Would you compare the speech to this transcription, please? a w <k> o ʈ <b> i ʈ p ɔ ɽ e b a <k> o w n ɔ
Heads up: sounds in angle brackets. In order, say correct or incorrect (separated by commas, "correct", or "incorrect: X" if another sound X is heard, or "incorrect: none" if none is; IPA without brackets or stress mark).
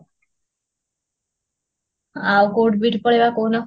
correct, correct, correct